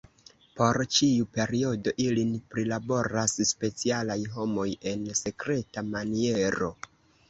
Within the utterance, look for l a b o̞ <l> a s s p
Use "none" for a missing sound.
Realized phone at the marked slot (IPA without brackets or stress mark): ɾ